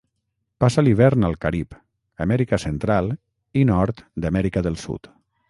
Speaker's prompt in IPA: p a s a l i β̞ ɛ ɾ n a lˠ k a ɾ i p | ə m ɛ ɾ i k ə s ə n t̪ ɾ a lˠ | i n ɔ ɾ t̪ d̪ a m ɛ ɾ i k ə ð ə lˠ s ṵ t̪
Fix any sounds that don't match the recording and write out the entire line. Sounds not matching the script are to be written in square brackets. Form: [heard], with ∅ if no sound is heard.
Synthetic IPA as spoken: p a s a l i β̞ ɛ ɾ n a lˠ k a ɾ i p | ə m ɛ ɾ i k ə s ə n t̪ ɾ a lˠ | i n ɔ ɾ t̪ d̪ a m ɛ ɾ i k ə ð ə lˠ s ṵ t̪